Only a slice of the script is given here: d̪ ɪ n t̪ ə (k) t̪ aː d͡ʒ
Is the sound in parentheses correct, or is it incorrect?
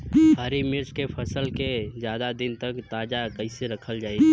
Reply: correct